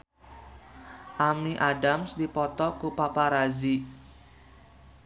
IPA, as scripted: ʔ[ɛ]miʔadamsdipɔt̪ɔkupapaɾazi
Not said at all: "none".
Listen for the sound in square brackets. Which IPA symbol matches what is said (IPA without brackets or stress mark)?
a